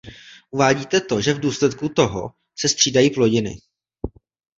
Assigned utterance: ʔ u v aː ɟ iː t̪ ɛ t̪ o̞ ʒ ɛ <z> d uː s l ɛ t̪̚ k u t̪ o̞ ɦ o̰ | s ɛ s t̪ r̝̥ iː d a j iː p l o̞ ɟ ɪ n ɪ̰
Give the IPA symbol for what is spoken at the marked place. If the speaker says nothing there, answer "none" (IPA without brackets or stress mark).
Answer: v